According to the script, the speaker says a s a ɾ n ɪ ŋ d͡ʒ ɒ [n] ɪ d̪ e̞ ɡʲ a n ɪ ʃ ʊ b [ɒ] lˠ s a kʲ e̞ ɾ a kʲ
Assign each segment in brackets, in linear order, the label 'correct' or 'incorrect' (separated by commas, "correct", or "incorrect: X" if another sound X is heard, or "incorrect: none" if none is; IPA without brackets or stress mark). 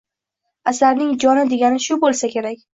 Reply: correct, incorrect: o